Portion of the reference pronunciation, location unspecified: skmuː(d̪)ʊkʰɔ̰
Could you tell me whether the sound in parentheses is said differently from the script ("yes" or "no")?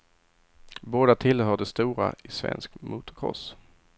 yes